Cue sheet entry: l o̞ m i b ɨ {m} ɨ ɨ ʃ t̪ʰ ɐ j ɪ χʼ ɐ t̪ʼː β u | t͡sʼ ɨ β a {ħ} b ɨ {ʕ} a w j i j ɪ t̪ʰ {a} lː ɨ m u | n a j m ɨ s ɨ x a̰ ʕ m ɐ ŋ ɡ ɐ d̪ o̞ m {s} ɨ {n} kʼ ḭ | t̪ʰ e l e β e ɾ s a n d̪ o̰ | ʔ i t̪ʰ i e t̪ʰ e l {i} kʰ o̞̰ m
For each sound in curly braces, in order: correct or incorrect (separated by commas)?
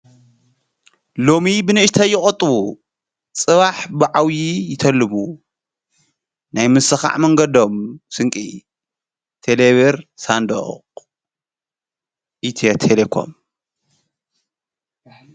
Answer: incorrect, correct, correct, incorrect, correct, incorrect, incorrect